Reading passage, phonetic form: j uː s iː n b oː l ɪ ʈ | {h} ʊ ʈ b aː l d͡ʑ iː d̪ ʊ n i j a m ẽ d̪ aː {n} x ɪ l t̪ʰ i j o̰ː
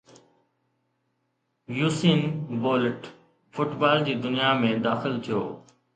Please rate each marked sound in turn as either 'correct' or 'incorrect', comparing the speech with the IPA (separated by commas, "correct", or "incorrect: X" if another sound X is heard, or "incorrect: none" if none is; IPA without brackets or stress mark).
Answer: incorrect: f, incorrect: none